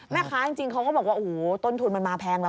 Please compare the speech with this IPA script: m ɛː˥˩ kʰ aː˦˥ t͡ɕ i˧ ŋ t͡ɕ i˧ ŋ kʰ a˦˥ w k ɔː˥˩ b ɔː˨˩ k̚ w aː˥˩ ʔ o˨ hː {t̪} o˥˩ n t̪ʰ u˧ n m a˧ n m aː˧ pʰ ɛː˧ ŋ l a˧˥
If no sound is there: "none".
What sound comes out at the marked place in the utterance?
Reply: t̪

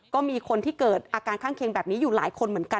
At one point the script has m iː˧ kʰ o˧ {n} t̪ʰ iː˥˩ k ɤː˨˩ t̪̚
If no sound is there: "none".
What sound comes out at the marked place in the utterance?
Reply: n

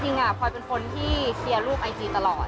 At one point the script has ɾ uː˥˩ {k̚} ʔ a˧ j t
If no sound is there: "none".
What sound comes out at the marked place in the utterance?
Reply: p̚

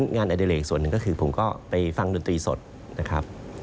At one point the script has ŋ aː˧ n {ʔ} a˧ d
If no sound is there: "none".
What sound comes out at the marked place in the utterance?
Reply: ʔ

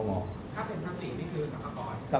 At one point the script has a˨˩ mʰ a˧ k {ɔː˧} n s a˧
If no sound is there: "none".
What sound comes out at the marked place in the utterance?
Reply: ɔː˧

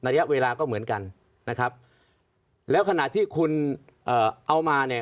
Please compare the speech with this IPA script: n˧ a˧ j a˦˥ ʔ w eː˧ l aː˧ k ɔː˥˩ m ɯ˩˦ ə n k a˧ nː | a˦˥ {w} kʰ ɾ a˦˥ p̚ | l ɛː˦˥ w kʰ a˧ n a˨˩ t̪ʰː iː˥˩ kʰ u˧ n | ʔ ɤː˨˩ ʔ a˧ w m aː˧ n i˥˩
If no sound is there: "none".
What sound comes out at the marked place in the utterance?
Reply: none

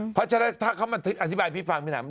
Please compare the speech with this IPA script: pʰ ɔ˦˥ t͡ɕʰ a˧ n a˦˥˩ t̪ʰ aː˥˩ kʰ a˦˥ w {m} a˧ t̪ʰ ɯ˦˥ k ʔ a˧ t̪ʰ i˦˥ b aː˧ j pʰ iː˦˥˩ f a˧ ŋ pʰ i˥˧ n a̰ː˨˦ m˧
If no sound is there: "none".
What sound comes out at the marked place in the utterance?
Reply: m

